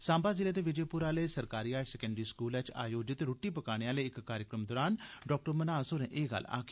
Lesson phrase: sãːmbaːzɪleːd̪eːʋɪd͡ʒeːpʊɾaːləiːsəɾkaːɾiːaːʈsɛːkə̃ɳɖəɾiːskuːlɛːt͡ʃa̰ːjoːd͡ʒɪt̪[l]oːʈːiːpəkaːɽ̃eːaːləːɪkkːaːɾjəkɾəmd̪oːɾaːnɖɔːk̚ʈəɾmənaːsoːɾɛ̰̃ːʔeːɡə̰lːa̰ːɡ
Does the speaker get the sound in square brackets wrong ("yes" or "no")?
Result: yes